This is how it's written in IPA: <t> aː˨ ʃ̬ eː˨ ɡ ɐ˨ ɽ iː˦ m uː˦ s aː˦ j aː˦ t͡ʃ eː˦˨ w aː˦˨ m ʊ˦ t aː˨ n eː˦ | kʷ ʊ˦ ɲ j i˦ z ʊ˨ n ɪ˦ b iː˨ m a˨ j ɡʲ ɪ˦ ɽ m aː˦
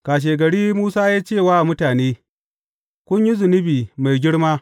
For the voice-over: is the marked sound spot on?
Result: no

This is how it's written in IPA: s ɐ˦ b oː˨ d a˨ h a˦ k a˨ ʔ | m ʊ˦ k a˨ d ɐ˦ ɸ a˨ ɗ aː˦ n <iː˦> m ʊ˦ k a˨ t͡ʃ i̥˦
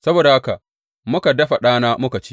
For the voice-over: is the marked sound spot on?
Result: no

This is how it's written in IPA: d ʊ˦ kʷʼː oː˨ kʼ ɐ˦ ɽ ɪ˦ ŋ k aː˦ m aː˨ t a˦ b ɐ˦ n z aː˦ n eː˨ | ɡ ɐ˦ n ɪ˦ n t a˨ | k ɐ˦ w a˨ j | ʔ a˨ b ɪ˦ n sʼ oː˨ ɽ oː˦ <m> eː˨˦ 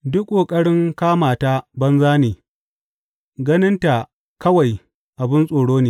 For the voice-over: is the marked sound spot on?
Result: no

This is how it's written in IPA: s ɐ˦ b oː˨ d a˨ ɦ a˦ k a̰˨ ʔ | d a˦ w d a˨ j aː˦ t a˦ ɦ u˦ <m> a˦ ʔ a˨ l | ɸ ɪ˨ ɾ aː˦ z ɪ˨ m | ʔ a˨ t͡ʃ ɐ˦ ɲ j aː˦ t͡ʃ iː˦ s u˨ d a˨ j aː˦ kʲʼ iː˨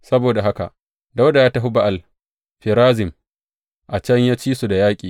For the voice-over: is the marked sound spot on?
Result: no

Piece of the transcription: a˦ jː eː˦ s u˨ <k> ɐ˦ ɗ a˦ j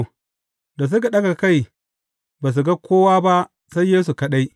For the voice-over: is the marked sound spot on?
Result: yes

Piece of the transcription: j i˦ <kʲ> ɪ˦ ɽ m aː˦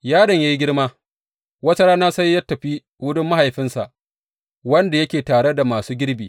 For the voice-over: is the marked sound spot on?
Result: no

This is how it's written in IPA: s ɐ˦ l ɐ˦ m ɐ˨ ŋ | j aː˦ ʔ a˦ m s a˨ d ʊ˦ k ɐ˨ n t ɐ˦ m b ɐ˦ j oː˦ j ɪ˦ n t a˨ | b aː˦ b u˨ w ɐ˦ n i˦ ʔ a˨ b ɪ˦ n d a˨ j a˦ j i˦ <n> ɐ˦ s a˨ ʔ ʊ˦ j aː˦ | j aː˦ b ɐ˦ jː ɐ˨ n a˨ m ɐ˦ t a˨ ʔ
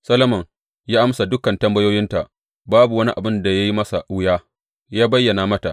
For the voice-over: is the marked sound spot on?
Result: no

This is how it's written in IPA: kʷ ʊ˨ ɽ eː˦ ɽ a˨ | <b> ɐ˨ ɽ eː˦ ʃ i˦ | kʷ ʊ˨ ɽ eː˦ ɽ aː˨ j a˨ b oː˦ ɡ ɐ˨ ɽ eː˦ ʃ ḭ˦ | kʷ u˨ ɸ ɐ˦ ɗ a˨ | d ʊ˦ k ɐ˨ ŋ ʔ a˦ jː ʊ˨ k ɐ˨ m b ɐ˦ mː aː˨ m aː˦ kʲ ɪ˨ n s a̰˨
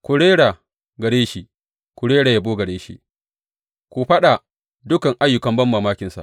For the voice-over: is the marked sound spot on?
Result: no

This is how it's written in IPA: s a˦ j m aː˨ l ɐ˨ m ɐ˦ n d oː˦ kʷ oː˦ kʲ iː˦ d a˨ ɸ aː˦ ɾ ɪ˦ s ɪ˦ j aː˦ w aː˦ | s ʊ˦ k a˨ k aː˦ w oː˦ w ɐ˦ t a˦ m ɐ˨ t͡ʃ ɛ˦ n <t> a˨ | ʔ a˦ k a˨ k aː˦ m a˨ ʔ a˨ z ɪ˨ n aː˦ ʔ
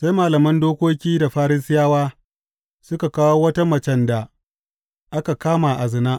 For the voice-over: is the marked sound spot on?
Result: no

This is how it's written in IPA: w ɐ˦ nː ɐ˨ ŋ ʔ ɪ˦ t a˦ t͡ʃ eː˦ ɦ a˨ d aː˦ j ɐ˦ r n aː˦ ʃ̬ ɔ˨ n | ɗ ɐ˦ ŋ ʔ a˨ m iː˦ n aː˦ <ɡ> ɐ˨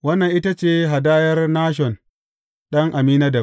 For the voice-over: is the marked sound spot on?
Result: no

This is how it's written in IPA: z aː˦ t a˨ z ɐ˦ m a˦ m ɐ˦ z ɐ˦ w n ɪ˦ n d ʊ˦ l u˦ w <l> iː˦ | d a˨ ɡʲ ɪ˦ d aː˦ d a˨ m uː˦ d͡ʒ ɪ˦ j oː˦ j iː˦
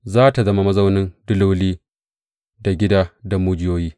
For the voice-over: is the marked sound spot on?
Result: yes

